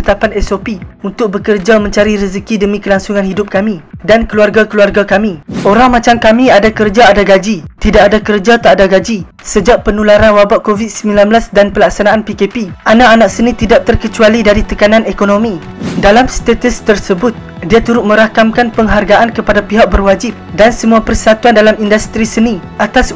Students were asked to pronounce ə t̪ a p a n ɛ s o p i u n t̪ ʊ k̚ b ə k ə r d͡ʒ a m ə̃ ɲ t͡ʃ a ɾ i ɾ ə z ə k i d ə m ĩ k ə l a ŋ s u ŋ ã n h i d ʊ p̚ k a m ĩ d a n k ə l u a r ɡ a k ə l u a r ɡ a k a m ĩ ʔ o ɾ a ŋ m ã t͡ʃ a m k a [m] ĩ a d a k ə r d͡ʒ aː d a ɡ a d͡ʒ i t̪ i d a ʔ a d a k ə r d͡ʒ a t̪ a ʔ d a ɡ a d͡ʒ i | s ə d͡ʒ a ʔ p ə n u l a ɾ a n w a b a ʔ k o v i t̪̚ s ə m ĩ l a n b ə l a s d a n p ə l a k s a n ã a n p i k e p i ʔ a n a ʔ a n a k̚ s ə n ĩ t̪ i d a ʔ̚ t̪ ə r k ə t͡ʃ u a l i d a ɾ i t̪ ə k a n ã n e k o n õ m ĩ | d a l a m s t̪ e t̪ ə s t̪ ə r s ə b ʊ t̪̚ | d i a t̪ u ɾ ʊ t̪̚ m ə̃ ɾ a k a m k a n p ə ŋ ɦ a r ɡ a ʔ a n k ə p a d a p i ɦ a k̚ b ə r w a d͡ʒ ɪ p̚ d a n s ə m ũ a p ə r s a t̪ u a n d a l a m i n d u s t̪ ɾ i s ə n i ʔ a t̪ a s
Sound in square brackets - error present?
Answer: no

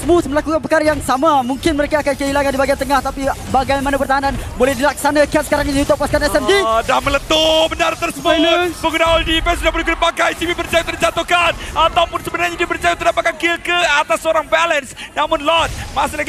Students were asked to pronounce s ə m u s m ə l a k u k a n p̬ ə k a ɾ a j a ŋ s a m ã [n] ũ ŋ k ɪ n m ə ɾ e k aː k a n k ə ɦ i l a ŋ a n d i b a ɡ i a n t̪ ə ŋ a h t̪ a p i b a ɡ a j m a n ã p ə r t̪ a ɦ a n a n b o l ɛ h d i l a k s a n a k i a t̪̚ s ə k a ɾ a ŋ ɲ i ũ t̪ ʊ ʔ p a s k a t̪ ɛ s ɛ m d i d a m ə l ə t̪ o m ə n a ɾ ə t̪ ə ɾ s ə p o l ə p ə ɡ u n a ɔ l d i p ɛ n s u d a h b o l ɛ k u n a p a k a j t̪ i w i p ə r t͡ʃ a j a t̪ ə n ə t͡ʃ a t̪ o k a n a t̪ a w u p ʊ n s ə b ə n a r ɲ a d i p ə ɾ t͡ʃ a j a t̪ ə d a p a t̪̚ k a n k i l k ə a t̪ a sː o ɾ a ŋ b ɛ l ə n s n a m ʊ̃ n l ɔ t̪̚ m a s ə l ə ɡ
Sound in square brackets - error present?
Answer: yes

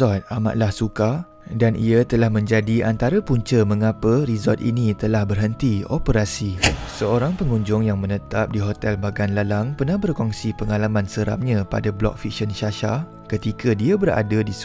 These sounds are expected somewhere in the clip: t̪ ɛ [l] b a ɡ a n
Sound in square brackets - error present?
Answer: no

